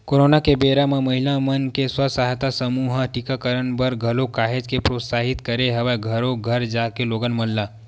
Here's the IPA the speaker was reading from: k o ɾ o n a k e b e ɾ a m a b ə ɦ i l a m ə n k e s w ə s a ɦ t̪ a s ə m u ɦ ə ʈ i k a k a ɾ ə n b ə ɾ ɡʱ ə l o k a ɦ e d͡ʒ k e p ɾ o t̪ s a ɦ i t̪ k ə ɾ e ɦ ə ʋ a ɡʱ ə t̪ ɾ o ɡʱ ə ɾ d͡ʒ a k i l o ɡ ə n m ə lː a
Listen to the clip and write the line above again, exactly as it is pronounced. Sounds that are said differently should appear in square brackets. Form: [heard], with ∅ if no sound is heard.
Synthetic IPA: k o ɾ o n a k e b e ɾ a m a [m] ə ɦ i l a m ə n k e s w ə s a ɦ t̪ a s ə m u ɦ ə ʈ i k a k [ə] ɾ ə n b ə ɾ ɡʱ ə l o k a ɦ e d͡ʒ k e p ɾ o t̪ s a ɦ i t̪ k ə ɾ e ɦ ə ʋ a ɡʱ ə [∅] ɾ o ɡʱ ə ɾ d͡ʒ a k [e] l o ɡ ə n m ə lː a